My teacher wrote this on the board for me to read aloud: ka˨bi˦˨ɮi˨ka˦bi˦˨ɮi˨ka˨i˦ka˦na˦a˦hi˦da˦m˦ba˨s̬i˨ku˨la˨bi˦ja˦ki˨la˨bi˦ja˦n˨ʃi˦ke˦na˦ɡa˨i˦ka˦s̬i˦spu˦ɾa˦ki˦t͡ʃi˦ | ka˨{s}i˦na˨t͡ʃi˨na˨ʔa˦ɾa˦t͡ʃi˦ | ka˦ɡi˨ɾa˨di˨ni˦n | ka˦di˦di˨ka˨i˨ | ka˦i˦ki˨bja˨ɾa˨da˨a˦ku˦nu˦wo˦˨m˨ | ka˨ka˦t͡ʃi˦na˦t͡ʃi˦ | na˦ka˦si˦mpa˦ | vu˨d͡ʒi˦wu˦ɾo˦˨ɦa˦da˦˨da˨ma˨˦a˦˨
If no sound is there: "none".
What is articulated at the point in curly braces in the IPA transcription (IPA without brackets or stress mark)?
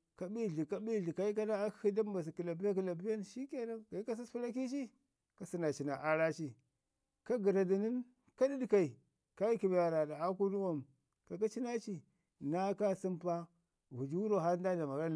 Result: s